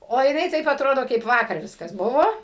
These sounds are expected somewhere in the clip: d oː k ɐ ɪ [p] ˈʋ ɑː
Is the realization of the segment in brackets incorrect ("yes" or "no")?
no